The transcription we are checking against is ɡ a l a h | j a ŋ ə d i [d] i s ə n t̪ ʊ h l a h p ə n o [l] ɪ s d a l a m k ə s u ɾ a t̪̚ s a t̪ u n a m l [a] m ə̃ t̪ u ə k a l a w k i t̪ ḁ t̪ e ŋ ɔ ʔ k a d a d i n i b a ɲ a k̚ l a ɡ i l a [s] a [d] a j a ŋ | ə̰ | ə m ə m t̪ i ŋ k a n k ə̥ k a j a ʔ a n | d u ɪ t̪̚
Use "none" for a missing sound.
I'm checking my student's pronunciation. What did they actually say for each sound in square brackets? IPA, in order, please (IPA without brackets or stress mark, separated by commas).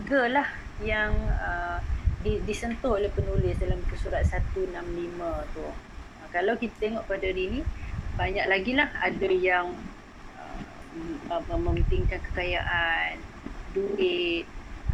d, l, i, h, d